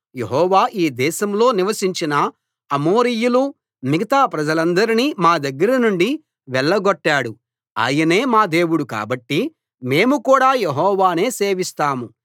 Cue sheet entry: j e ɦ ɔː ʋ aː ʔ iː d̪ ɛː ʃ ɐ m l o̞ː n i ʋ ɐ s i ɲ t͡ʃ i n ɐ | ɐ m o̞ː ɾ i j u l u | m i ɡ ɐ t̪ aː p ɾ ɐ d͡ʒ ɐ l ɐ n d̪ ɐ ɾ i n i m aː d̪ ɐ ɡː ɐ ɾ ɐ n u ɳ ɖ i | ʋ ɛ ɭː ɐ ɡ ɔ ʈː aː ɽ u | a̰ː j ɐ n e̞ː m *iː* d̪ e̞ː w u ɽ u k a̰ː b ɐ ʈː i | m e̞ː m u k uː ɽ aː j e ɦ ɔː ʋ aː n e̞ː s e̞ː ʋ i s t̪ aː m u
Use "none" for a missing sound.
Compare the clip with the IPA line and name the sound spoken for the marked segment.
aː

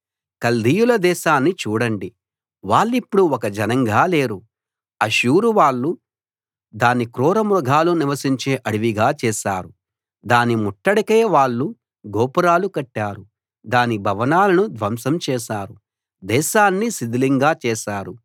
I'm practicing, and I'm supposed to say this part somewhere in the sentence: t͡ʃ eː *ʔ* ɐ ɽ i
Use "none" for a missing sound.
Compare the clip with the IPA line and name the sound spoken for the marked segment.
ʔ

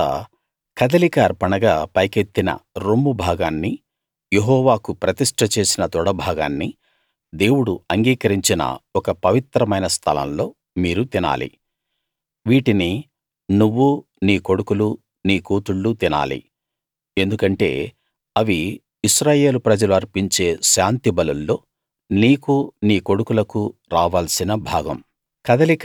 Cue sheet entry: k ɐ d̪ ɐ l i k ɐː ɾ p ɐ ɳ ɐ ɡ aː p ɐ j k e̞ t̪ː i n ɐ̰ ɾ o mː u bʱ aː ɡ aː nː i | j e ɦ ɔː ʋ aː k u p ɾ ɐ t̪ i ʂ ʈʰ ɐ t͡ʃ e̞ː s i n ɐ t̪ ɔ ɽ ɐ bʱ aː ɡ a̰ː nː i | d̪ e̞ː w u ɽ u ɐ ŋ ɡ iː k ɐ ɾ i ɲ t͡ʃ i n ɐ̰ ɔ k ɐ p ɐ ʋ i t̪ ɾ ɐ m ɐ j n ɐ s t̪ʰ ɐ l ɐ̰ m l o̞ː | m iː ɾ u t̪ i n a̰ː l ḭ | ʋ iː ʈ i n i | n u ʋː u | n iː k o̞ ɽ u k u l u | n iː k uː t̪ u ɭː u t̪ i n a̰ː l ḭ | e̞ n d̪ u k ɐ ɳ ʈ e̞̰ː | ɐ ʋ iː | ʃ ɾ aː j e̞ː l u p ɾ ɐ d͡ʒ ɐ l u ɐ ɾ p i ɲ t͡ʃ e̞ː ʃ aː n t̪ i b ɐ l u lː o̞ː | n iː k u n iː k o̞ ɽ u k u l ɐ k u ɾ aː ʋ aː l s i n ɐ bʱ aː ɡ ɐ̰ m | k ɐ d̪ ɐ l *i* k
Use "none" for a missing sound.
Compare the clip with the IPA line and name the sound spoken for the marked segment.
i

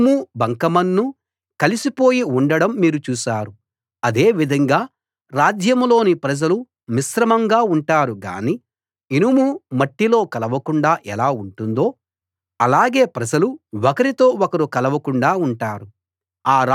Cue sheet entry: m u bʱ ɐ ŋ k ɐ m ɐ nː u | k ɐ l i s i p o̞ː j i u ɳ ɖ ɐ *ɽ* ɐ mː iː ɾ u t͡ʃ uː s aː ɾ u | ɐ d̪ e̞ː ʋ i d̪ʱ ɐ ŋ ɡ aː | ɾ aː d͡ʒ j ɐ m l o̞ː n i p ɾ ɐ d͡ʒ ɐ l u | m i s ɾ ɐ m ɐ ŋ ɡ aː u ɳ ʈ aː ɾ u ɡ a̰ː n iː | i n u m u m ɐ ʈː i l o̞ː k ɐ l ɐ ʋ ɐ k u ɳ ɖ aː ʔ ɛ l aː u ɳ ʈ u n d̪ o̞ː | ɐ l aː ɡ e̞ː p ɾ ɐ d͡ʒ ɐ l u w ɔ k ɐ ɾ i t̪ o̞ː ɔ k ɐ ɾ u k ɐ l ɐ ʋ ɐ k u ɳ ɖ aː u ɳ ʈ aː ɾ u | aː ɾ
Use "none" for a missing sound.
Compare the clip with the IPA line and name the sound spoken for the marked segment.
ɽ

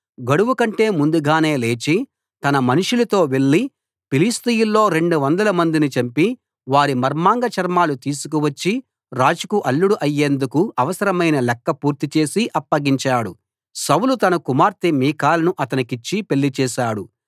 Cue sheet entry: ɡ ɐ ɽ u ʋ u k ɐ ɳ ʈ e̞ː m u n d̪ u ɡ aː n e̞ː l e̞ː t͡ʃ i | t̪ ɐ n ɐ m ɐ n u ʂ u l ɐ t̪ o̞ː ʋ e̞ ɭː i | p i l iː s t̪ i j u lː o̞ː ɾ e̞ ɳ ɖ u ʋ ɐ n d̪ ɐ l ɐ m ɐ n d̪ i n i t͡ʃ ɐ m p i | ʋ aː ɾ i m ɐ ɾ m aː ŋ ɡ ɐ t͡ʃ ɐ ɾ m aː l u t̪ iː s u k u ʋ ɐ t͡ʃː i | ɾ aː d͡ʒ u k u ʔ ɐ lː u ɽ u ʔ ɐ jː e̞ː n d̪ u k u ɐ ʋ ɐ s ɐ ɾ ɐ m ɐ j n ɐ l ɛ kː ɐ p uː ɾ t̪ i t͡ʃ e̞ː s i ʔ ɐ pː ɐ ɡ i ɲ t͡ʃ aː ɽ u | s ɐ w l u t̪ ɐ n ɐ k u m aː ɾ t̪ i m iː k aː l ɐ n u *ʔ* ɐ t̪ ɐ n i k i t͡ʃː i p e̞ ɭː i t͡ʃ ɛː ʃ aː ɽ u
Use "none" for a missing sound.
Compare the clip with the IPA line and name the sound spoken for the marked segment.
ʔ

